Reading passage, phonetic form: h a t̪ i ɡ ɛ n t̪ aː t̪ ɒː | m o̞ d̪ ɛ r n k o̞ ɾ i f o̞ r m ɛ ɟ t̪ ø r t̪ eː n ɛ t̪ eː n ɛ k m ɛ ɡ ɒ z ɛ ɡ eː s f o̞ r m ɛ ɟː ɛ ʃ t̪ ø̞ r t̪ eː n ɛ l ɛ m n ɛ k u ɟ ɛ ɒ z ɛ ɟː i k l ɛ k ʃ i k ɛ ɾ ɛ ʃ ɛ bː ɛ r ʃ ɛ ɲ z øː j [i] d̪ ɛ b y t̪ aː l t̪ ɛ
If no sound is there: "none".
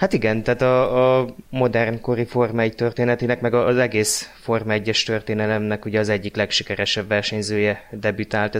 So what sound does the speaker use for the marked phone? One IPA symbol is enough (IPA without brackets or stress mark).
ɛ